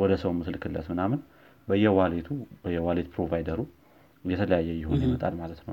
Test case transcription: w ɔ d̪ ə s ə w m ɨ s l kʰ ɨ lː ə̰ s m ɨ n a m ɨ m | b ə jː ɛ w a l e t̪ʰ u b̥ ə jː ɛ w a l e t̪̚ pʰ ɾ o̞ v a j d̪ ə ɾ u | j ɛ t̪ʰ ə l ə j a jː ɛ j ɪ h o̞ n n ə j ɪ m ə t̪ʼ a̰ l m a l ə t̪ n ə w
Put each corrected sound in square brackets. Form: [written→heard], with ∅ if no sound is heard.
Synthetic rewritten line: w ɔ d̪ ə s ə w m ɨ s l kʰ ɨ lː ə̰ s m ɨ n a m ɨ [m→n] | b ə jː ɛ w a l e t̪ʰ u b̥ ə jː ɛ w a l e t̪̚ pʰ ɾ o̞ v a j d̪ ə ɾ u | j ɛ t̪ʰ ə l ə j a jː ɛ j ɪ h o̞ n n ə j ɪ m ə t̪ʼ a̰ l m a l ə t̪ n ə w